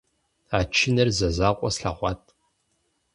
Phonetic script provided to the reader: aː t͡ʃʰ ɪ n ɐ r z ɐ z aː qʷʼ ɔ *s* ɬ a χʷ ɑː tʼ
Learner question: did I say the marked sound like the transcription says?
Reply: yes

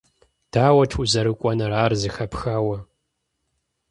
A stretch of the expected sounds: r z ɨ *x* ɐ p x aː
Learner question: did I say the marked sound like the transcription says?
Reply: yes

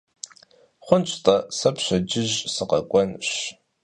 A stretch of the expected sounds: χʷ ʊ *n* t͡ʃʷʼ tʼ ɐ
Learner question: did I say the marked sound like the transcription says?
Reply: yes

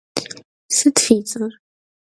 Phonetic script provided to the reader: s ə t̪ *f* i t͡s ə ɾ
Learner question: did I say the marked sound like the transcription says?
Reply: yes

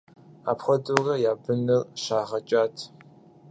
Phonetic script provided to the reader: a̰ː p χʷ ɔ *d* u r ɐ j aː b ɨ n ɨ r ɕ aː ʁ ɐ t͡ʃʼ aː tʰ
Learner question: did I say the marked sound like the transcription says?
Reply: yes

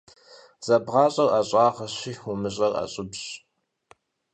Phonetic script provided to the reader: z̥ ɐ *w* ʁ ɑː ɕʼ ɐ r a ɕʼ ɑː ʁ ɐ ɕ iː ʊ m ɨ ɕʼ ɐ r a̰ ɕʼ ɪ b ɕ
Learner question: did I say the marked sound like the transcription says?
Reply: no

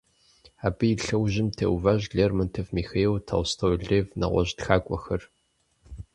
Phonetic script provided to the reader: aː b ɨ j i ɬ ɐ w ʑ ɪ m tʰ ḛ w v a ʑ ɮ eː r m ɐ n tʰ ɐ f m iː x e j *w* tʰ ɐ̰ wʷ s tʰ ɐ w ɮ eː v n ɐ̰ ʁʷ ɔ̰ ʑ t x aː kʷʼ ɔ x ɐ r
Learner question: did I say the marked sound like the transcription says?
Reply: yes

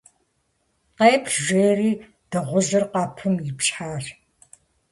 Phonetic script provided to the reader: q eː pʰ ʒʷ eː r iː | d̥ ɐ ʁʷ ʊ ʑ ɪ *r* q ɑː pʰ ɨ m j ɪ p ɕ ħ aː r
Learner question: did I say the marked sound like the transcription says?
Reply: yes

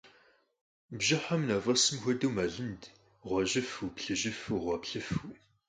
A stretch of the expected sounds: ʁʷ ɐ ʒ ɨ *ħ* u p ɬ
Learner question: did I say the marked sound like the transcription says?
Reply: no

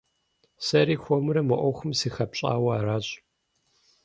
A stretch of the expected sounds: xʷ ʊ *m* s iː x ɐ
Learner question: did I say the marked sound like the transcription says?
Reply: yes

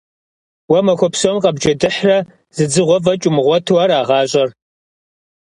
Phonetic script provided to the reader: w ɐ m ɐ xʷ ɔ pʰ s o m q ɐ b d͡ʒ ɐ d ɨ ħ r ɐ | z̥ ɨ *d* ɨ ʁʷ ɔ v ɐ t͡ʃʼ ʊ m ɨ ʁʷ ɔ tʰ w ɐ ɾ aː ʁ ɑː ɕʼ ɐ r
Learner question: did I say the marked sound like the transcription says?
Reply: no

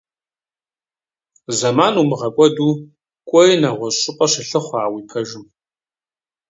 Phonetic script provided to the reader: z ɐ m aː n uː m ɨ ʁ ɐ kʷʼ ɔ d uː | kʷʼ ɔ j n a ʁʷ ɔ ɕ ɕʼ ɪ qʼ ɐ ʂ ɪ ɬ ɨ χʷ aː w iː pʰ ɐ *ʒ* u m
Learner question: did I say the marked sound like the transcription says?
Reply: yes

